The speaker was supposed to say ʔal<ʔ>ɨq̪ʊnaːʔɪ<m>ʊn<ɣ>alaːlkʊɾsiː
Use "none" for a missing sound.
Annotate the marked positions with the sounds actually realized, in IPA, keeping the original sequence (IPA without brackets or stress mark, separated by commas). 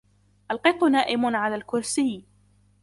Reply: q, m, ʕ